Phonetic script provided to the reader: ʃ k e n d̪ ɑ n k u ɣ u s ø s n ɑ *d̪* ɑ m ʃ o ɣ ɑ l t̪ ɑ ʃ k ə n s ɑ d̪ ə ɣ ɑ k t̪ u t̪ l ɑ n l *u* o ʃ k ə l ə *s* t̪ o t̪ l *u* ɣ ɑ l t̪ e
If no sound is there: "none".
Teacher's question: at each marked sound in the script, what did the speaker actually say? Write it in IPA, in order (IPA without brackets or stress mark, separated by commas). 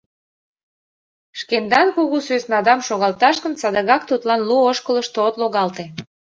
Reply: d̪, u, ʃ, o